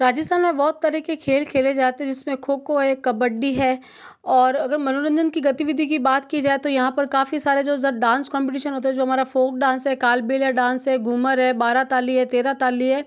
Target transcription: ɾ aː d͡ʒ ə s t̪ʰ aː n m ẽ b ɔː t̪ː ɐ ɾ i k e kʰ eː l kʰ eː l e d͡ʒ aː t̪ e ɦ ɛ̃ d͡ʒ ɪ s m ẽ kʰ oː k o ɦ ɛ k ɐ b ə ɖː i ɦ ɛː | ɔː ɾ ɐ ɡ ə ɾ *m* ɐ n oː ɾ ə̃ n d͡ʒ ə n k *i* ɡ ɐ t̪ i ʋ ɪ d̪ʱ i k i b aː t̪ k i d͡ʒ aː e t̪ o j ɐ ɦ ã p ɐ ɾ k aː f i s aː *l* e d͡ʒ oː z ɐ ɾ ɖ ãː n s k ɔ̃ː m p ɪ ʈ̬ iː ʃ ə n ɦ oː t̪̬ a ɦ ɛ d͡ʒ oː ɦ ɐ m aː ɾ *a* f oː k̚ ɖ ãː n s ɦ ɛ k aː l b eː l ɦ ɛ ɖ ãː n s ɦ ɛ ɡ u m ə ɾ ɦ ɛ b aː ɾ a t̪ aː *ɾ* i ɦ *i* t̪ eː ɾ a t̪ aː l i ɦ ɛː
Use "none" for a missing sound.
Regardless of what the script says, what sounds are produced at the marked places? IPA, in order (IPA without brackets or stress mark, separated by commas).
m, i, ɾ, a, l, ɛ